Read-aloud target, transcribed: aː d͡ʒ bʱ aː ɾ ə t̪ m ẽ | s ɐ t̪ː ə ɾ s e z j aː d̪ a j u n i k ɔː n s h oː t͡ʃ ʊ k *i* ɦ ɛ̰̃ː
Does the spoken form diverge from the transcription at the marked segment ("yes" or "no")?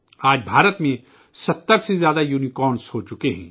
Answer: yes